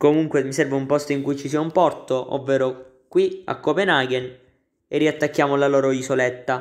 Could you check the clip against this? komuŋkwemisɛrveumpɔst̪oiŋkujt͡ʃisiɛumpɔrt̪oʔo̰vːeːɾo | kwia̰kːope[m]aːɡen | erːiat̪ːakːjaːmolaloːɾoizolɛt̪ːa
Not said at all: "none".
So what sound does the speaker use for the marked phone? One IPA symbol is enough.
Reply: n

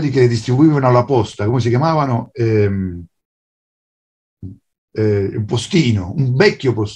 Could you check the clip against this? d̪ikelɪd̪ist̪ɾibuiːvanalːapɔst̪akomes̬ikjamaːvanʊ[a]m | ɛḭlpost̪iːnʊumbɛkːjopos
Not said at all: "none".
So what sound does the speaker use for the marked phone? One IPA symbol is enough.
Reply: ɛ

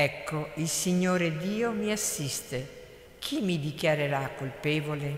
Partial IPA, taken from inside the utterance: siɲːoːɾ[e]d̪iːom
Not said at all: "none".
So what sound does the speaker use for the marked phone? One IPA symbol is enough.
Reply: e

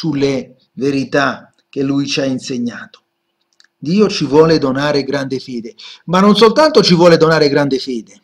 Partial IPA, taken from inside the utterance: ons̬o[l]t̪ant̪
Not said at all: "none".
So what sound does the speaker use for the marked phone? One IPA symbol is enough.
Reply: l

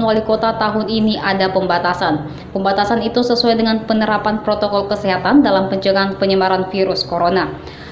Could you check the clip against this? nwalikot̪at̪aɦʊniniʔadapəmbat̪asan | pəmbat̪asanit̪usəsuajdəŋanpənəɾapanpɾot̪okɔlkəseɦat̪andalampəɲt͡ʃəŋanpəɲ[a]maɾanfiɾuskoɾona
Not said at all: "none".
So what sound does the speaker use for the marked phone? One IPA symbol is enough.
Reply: ə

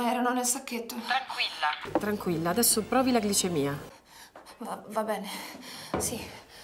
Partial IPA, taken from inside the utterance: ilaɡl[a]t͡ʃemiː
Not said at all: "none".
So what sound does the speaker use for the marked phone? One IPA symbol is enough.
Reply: i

